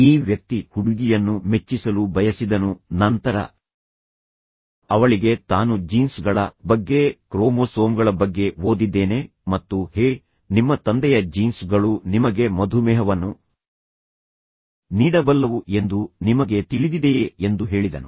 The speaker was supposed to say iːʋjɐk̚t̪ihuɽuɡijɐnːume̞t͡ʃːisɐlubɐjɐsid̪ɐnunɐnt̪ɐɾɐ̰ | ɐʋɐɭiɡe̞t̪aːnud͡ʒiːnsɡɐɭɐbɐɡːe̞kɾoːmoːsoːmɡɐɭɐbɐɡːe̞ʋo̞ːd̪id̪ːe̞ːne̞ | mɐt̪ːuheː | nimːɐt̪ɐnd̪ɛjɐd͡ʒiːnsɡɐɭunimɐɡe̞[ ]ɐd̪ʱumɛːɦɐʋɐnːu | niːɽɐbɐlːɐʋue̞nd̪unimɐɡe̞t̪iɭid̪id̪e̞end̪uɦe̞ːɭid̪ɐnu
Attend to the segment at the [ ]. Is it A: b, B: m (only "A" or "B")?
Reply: B